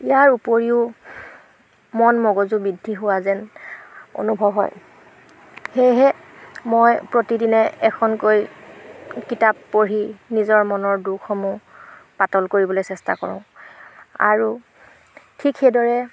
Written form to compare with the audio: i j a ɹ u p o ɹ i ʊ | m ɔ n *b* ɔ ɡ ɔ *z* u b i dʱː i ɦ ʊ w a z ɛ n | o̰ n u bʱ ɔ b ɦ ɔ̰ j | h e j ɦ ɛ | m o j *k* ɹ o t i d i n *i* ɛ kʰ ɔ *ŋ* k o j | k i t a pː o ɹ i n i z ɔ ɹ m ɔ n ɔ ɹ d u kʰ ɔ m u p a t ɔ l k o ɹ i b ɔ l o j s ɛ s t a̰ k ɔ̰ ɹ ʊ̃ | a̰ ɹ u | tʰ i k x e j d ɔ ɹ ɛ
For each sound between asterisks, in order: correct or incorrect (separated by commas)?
incorrect, correct, incorrect, incorrect, incorrect